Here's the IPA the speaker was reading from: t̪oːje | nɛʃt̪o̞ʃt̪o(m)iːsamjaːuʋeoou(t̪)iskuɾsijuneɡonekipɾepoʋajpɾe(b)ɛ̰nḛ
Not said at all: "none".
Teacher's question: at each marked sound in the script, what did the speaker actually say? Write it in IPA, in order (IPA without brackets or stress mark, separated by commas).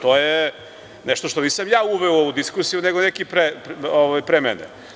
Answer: n, d̪, m